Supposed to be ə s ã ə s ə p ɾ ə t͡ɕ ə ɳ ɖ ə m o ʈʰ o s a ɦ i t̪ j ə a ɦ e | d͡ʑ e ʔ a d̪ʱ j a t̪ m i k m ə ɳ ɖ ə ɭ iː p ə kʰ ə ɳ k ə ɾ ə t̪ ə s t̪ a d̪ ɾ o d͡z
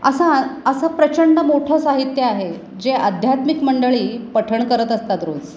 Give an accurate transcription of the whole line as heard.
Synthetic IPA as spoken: ə s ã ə s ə p ɾ ə t͡ɕ ə ɳ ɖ ə m o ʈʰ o s a ɦ i t̪ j ə a ɦ e | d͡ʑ e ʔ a d̪ʱ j a t̪ m i k m ə ɳ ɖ ə ɭ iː p ə ʈʰ ə ɳ k ə ɾ ə t̪ ə s t̪ a t̪ ɾ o d͡z